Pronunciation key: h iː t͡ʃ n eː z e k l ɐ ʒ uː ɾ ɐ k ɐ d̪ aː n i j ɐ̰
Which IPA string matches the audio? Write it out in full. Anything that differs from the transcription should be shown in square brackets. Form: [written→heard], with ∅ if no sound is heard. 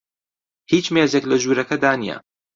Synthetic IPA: h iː t͡ʃ [n→m] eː z e k l ɐ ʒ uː ɾ ɐ k ɐ d̪ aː n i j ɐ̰